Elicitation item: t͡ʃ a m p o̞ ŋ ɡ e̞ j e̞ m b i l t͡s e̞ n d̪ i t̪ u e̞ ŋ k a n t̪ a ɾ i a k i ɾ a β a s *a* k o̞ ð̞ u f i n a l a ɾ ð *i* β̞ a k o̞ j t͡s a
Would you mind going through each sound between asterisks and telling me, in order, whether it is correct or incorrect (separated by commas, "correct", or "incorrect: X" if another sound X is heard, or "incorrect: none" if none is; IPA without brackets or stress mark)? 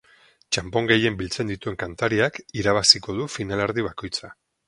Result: incorrect: i, correct